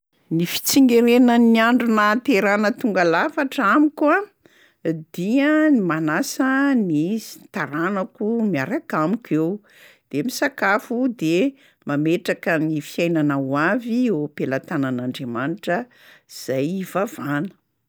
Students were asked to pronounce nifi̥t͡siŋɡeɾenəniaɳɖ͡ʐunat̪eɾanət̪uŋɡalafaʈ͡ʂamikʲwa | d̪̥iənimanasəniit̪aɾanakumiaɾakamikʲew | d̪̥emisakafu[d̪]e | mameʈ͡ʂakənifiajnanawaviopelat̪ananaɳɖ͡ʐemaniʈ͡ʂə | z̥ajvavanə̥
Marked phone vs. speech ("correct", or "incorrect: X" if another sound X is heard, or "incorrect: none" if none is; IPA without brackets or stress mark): correct